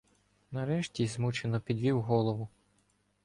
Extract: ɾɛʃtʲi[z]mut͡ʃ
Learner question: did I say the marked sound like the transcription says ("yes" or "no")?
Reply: yes